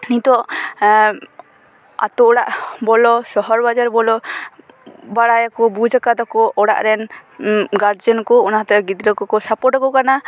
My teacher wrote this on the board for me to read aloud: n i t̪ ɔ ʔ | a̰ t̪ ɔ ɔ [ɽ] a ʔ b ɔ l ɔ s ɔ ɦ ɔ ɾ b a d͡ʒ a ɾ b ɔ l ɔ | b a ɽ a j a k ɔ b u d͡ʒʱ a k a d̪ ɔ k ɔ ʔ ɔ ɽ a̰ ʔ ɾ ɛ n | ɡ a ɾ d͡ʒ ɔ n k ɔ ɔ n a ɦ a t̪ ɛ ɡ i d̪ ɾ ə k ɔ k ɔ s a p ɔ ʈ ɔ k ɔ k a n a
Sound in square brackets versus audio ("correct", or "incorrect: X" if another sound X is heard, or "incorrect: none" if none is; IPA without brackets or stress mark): correct